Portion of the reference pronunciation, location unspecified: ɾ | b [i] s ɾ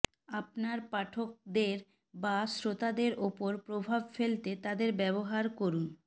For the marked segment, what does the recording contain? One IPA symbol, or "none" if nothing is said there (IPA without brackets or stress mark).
a